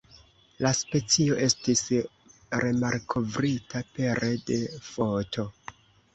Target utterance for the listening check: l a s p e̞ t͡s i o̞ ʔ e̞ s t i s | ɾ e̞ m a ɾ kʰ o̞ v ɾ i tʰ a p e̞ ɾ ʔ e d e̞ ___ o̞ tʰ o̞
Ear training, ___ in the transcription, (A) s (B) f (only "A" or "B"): B